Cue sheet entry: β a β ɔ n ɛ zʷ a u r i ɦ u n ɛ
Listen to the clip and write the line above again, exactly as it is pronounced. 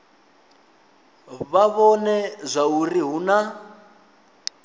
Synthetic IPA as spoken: β a β ɔ n ɛ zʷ a u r i ɦ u n a